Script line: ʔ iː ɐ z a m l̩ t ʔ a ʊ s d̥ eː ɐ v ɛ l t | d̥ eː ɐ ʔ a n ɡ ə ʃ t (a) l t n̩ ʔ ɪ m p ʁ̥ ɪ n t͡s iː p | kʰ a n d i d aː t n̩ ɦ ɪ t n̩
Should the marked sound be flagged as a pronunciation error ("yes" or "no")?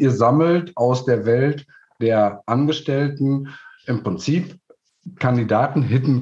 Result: yes